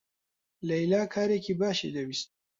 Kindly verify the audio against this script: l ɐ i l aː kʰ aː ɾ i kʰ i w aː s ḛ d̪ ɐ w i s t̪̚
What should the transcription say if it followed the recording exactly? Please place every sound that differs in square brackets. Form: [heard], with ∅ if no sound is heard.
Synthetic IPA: l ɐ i l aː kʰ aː ɾ [e] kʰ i [b] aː [ʃ] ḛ d̪ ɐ w i s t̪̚